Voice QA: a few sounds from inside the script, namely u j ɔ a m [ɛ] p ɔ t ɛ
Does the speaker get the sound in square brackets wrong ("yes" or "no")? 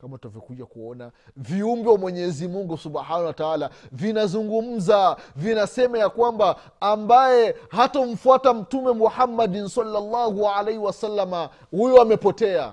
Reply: no